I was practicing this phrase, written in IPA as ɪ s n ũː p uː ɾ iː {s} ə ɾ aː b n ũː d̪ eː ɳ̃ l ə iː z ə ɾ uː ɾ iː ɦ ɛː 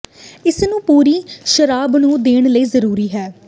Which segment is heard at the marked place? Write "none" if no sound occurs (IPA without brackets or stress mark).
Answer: ʃ